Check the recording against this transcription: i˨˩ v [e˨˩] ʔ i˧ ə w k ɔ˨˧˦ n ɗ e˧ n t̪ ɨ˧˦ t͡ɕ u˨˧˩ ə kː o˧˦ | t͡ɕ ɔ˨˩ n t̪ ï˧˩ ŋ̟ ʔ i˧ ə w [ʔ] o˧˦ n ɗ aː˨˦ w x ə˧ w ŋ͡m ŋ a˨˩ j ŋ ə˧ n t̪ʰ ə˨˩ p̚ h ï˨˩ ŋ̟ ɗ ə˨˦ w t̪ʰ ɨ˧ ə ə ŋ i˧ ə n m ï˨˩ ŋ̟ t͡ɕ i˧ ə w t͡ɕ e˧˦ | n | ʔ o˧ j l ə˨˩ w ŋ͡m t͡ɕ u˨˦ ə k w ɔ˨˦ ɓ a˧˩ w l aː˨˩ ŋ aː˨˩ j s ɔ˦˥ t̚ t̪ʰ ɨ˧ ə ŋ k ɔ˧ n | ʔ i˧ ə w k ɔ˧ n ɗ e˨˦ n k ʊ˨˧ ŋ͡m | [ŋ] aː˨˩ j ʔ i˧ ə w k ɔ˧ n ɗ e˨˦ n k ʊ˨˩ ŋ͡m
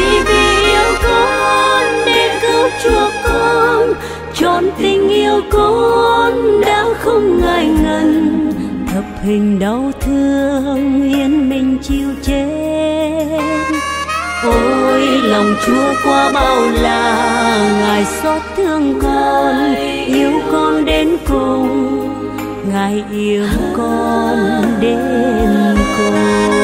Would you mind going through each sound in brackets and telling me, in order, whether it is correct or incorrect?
incorrect: i˨˩, incorrect: k, correct

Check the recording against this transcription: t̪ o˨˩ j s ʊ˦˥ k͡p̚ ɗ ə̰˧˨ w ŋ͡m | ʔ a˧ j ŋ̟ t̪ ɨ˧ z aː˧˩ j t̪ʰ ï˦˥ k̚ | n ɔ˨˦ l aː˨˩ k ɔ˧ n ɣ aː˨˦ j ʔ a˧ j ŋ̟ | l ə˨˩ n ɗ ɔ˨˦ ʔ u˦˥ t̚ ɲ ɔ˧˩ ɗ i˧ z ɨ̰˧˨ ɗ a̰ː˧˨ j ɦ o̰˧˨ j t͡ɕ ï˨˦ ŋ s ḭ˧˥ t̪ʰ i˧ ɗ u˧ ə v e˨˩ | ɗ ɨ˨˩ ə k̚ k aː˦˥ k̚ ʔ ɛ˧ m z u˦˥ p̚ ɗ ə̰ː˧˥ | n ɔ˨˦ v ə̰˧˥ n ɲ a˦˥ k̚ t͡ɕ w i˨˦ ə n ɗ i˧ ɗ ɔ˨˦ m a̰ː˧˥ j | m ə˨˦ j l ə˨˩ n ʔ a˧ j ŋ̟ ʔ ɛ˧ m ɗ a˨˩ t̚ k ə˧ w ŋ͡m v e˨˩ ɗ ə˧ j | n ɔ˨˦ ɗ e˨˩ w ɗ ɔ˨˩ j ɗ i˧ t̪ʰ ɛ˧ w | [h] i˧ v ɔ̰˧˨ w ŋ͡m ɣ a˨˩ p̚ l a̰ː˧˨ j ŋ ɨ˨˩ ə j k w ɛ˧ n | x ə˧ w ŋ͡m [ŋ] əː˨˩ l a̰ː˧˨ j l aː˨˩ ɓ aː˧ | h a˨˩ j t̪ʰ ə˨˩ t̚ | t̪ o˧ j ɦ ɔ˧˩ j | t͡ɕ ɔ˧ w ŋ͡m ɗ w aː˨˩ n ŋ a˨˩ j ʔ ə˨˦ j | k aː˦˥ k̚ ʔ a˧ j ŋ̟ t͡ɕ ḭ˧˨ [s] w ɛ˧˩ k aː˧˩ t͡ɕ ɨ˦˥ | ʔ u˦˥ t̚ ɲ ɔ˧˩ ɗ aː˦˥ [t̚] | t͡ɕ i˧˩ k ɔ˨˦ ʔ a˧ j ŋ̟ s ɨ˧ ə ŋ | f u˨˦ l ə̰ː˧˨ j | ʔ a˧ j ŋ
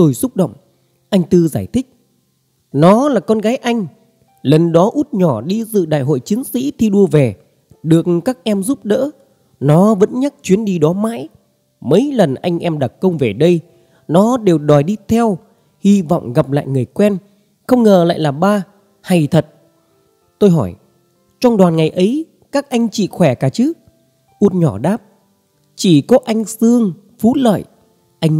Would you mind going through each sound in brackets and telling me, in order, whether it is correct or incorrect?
correct, correct, incorrect: x, incorrect: p̚

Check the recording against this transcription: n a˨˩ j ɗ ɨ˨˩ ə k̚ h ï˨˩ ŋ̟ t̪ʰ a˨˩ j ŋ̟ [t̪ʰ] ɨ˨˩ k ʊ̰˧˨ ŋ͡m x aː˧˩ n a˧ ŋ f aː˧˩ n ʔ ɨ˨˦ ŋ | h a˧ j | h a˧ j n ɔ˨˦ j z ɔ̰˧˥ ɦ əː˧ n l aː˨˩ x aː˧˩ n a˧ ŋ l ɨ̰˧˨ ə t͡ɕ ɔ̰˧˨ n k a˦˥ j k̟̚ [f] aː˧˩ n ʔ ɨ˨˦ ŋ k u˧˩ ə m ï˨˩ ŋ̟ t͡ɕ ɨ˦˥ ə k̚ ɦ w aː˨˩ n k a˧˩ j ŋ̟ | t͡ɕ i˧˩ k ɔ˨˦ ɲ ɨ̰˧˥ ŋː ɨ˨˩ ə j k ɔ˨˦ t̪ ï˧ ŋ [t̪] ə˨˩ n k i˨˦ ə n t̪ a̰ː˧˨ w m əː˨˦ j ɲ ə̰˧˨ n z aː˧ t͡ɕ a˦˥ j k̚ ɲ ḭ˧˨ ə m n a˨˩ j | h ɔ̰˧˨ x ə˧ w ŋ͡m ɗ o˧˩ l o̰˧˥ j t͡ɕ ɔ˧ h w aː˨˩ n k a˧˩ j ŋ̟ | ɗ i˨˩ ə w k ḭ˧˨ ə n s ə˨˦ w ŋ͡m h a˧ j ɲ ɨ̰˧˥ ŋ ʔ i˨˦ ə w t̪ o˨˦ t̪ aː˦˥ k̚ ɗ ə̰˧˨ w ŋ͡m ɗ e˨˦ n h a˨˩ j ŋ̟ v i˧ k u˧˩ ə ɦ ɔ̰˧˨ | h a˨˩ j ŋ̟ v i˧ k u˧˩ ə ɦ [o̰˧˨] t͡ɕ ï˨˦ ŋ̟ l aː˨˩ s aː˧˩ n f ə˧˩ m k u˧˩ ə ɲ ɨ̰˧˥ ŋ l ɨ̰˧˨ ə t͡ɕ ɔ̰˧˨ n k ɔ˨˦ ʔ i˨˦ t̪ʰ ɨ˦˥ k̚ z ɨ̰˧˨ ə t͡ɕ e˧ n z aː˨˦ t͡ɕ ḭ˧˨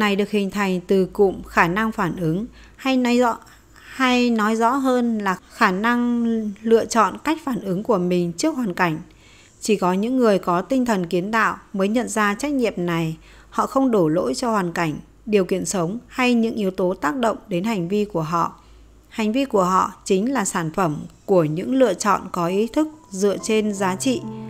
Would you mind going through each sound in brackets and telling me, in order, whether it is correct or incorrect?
incorrect: t̪, correct, incorrect: t̪ʰ, incorrect: ɔ̰˧˨

